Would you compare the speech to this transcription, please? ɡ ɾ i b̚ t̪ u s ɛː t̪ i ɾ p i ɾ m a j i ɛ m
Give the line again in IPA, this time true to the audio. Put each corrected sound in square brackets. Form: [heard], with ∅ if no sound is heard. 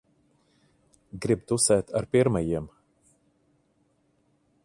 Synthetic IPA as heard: ɡ ɾ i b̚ t̪ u s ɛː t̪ [a] ɾ p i ɾ m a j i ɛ m